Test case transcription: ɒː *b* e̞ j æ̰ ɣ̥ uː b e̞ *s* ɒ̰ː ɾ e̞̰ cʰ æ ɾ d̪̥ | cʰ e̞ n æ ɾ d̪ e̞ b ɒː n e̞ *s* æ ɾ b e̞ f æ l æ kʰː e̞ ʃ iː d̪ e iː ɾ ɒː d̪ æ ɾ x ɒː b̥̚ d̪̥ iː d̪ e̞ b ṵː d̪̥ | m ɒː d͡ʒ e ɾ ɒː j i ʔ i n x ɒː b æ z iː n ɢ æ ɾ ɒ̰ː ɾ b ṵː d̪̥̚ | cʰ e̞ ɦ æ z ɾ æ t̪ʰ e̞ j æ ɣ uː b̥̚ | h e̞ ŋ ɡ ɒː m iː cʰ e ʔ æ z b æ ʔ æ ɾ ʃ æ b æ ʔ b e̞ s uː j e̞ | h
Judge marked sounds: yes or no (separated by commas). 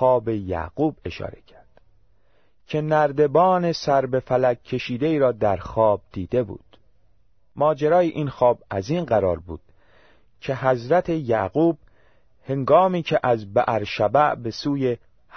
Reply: yes, no, yes